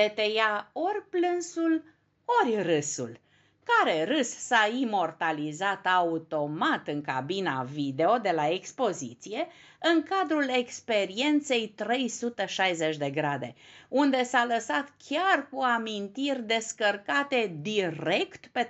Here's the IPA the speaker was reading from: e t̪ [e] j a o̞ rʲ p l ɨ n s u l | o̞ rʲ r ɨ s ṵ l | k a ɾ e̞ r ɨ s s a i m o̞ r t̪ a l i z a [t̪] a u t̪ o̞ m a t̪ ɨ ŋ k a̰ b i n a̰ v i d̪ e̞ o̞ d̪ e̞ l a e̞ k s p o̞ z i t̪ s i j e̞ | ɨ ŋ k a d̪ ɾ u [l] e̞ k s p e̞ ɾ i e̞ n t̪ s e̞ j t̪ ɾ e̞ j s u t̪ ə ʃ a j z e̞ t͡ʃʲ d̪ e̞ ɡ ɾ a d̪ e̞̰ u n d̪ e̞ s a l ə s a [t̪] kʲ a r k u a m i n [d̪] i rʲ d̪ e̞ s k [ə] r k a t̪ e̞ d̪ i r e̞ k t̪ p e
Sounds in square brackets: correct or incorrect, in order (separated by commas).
correct, correct, correct, correct, incorrect, correct